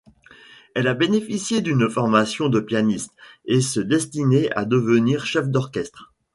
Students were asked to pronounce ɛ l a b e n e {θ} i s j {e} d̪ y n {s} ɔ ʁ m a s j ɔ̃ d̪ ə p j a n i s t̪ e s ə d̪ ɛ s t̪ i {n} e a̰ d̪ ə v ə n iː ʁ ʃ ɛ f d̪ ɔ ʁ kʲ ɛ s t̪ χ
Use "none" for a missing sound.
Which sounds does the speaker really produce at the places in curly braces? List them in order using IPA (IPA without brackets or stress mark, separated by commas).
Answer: f, e, f, n